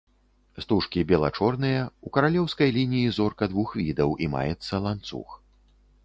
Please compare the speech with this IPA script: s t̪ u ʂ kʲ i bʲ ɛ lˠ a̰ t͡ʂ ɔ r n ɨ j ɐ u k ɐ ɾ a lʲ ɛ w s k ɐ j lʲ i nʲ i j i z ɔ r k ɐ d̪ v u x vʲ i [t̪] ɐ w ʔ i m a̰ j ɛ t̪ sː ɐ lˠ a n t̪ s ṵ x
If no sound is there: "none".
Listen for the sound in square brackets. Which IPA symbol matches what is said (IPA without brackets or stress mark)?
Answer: d̪